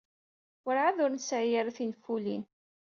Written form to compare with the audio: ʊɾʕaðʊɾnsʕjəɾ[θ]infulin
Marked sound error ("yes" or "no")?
no